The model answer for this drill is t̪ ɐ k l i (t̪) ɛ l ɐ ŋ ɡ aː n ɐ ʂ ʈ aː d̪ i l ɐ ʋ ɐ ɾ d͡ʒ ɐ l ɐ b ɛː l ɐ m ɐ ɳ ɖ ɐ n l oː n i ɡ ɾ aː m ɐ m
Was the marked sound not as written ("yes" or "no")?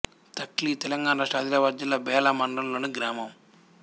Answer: no